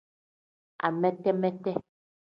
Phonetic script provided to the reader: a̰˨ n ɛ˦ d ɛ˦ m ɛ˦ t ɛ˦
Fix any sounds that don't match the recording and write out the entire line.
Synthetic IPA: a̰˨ m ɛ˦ t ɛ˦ m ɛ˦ t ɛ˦